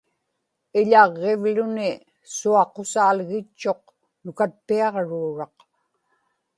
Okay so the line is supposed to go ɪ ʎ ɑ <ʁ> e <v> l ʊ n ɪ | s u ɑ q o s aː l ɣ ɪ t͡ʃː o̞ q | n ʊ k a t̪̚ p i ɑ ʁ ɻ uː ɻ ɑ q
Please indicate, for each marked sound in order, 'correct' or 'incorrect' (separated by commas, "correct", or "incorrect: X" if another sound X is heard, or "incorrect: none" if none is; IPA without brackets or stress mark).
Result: incorrect: ʁː, correct